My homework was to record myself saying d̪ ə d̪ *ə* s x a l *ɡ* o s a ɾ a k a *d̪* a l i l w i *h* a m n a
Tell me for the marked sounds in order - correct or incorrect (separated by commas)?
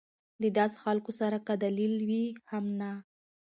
incorrect, incorrect, correct, correct